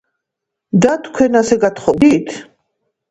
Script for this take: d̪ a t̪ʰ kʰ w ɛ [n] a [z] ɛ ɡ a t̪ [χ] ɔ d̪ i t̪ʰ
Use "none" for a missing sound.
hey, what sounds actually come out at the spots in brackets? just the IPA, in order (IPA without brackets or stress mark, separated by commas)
n, s, χ